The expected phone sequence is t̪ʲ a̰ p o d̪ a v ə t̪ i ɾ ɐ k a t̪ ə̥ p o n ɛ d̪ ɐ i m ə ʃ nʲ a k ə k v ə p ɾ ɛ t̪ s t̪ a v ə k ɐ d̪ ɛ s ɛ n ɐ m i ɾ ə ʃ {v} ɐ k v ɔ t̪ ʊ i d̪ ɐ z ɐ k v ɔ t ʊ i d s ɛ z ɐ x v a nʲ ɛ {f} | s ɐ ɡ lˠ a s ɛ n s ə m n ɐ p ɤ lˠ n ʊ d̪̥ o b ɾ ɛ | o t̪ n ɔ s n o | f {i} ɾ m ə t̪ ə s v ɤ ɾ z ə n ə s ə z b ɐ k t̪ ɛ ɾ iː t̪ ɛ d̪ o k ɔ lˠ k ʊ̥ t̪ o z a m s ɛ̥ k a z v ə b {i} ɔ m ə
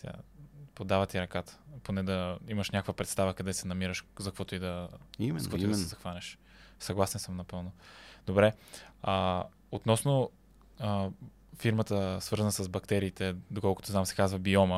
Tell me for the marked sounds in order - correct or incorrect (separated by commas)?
incorrect, incorrect, correct, correct